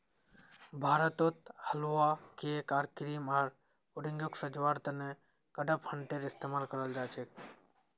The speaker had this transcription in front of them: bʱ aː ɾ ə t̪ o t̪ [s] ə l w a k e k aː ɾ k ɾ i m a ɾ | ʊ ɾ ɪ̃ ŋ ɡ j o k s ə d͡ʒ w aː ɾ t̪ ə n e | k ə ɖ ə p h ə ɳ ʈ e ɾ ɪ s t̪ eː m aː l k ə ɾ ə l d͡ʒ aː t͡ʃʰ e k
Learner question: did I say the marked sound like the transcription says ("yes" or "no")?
no